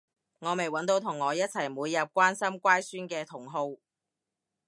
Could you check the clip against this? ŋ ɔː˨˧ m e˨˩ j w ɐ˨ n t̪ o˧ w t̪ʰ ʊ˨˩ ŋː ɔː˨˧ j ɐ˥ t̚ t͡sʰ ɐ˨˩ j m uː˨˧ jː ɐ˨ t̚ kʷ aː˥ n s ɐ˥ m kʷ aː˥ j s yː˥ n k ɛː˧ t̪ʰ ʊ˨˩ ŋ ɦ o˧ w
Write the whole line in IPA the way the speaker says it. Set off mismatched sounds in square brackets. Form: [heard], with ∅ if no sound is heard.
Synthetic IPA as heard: ŋ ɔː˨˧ m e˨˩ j w [ɐ˨˥] n t̪ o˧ w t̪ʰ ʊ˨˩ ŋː ɔː˨˧ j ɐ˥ t̚ t͡sʰ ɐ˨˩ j m uː˨˧ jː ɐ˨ [p̚] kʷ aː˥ n s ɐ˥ m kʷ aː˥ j s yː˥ n k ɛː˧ t̪ʰ ʊ˨˩ ŋ ɦ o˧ w